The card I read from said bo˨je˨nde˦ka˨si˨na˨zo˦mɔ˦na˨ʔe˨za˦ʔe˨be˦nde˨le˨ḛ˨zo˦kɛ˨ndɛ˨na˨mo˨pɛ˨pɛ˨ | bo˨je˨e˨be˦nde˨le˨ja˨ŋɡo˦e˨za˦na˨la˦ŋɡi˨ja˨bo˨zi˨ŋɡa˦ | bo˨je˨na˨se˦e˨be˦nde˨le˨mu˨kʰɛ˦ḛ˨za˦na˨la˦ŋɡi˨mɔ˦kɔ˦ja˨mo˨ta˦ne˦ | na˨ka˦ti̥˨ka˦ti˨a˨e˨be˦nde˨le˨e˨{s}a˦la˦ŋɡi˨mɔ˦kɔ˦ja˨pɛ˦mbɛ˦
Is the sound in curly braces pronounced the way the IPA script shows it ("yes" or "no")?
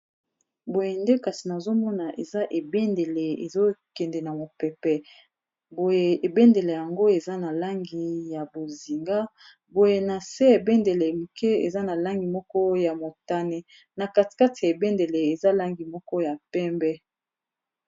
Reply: no